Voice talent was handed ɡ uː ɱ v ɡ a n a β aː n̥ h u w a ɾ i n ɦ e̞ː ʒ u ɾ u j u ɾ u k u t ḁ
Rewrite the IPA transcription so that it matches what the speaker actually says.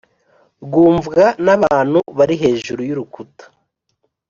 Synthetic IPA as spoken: ɡ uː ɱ v ɡ a n a β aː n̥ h u β a ɾ i ɦ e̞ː ʒ u ɾ u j u ɾ u k u t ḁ

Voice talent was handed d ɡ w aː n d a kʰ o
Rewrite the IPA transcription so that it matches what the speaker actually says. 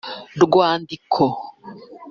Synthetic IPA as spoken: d ɡ w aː n d i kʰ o

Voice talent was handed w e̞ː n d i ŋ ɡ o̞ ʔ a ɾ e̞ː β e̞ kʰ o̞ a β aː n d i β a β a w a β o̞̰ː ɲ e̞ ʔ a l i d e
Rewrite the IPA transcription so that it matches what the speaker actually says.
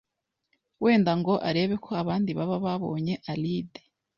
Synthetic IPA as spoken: w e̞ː n d a ŋ ɡ o̞ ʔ a ɾ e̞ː β e̞ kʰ o̞ a β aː n d i β a β a β a β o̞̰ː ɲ e̞ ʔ a l i d e

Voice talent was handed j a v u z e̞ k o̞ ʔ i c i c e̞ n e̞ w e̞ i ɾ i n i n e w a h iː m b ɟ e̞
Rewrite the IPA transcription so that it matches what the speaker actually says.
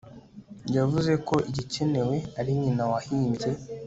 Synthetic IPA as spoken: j a v u z e̞ k o̞ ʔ i ɟ i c e̞ n e̞ w e̞ a ɾ i ɲ i n a w a h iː m b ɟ e̞

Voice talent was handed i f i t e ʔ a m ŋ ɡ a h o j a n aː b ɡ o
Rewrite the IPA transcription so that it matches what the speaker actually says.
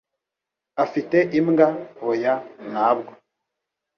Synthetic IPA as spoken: a f i t e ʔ i m ŋ ɡ a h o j a n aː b ɡ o

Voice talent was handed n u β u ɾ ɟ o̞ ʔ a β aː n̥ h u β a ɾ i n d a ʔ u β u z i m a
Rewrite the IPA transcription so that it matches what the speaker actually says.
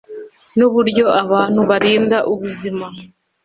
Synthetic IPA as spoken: n u β u ɾ ɟ o̞ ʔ a β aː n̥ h u β a ɾ iː n d a ʔ u β u z i m a

